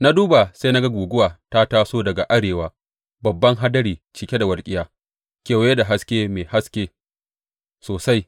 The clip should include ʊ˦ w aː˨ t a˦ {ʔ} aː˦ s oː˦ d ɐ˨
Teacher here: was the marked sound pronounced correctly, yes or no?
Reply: no